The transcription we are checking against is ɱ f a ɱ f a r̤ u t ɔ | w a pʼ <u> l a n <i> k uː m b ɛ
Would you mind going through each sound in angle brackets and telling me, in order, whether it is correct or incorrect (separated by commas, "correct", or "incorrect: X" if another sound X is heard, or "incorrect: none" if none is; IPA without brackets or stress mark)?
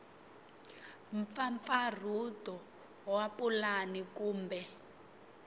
correct, correct